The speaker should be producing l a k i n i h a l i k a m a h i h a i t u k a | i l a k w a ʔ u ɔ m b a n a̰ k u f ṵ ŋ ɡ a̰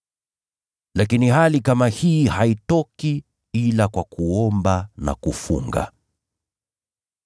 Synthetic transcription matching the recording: l a k i n i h a l i k a m a h i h a i t ɔ k i | i l a k w a k u ɔ m b a n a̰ k u f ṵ ŋ ɡ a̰

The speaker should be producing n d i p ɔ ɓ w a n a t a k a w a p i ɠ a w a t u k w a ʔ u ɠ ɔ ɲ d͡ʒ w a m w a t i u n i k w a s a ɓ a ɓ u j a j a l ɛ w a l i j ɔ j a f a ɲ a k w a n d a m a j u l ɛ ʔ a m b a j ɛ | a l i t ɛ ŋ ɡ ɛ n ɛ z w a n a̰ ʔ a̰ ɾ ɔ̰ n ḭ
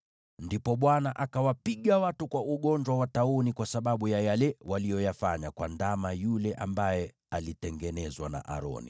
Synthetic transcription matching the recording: n d i p ɔ ɓ w a n a ʔ a k a w a p i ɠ a w a t u k w a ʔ u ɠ ɔ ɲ d͡ʒ w a w a t a u n i k w a s a ɓ a ɓ u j a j a l ɛ w a l i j ɔ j a f a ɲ a k w a n d a m a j u l ɛ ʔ a m b a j ɛ | a l i t ɛ ŋ ɡ ɛ n ɛ z w a n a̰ ʔ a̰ ɾ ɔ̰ n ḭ

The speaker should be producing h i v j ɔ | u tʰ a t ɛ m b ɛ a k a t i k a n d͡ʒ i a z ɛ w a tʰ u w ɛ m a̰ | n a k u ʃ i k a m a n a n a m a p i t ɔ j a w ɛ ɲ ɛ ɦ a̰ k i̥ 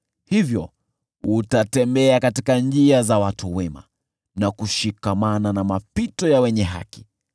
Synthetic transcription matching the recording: h i v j ɔ | u t a t ɛ m b ɛ a k a t i k a n d͡ʒ i a z a w a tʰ u w ɛ m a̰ | n a k u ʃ i k a m a n a n a m a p i t ɔ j a w ɛ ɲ ɛ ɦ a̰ k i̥

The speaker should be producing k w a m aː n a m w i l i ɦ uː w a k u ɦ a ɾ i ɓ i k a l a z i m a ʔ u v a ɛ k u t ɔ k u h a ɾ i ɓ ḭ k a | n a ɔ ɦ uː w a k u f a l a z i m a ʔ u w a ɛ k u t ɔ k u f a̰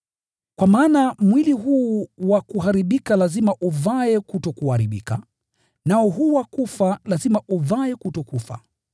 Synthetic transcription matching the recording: k w a m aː n a m w i l i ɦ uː w a k u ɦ a ɾ i ɓ i k a l a z i m a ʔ u v a ɛ k u t ɔ k u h a ɾ i ɓ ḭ k a | n a ɔ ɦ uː w a k u f a l a z i m a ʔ u v a ɛ k u t ɔ k u f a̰

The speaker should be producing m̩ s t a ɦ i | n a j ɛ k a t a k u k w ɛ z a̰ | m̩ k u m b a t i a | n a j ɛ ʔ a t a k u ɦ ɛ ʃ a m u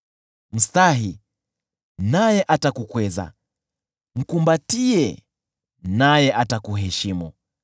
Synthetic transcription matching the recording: m̩ s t a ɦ i | n a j ɛ ʔ a t a k u k w ɛ z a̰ | m̩ k u m b a t i ɛ | n a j ɛ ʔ a t a k u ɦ ɛ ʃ i m u

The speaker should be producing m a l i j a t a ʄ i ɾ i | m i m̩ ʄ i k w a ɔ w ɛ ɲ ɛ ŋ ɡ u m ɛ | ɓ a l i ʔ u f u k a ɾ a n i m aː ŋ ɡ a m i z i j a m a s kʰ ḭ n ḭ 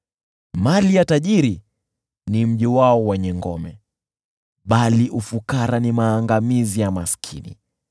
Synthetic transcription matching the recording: m a l i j a t a ʄ i ɾ i | n i m̩ ʄ i w a ɔ w ɛ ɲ ɛ ŋ ɡ ɔ m ɛ | ɓ a l i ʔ u f u k a ɾ a n i m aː ŋ ɡ a m i z i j a m a s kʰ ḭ n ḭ

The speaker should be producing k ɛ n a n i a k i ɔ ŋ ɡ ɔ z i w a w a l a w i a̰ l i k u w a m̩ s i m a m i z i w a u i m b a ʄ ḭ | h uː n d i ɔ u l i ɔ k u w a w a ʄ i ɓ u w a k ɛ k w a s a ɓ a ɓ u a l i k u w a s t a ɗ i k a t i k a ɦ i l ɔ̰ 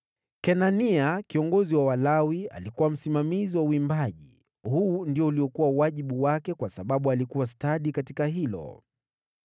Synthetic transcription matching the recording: k ɛ n a n i a k i ɔ ŋ ɡ ɔ z i w a w a l a w i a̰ l i k u w a m̩ s i m a m i z i w a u i m b a ʄ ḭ | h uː n d i ɔ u l i ɔ k u w a w a ʄ i ɓ u w a k ɛ k w a s a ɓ a ɓ u a l i k u w a s t a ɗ i k a t i k a ɦ i l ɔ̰

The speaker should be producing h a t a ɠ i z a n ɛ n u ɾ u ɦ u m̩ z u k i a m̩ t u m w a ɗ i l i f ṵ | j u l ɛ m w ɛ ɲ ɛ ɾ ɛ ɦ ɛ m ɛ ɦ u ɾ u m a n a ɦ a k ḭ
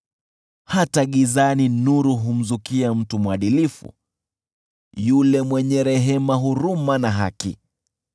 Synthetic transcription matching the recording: h a t a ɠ i z a n i n u ɾ u ɦ u m̩ z u k i a m̩ t u m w a ɗ i l i f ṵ | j u l ɛ m w ɛ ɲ ɛ ɾ ɛ ɦ ɛ m a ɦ u ɾ u m a n a ɦ a k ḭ

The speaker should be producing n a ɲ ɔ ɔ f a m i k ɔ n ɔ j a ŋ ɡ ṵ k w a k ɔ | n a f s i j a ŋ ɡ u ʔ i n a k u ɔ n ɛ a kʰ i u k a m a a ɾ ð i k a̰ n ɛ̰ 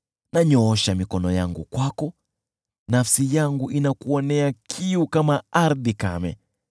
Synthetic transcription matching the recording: n a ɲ ɔ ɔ ʃ a m i k ɔ n ɔ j a ŋ ɡ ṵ k w a k ɔ | n a f s i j a ŋ ɡ u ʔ i n a k u ɔ n ɛ a kʰ i u k a m a a ɾ ð i k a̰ m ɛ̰

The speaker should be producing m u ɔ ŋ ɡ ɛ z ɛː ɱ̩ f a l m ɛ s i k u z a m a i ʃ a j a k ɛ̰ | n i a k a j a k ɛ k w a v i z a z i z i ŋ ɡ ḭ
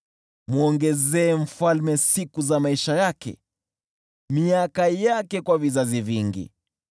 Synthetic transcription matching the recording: m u ɔ ŋ ɡ ɛ z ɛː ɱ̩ f a l m ɛ s i k u z a m a i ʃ a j a k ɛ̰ | m i a k a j a k ɛ k w a v i z a z i v i ŋ ɡ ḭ

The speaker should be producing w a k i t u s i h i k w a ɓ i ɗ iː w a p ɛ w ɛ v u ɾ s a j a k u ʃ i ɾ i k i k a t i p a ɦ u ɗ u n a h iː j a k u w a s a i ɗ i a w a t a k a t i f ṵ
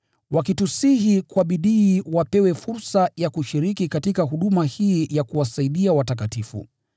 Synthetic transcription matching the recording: w a k i t u s i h i k w a ɓ i ɗ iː w a p ɛ w ɛ f u ɾ s a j a k u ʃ i ɾ i k i k a t i k a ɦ u ɗ u m a h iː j a k u w a s a i ɗ i a w a t a k a t i f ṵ

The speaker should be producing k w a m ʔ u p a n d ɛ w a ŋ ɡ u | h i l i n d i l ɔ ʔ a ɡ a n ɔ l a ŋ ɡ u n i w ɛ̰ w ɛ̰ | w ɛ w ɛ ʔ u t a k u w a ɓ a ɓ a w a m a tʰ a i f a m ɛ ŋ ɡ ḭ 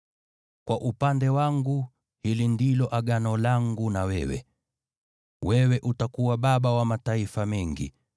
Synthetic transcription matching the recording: k w a ʔ u p a n d ɛ w a ŋ ɡ u | h i l i n d i l ɔ ʔ a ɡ a n ɔ l a ŋ ɡ u n a w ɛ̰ w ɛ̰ | w ɛ w ɛ ʔ u t a k u w a ɓ a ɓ a w a m a t a i f a m ɛ ŋ ɡ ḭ

